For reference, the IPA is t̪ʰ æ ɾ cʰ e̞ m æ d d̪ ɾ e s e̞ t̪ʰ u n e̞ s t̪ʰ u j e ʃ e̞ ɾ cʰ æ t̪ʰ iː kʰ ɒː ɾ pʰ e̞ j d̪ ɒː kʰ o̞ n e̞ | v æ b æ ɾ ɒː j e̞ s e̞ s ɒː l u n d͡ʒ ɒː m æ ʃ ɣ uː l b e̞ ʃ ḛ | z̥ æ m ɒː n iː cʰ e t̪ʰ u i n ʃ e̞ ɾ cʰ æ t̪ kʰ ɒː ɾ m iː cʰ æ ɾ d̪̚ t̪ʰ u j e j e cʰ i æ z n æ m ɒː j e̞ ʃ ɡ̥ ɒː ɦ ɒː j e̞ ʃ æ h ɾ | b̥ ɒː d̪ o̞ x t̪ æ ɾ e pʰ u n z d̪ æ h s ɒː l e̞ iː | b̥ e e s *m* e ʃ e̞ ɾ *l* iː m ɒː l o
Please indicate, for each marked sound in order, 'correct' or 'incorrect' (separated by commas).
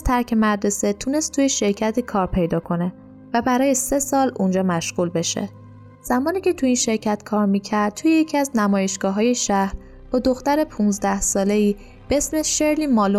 correct, correct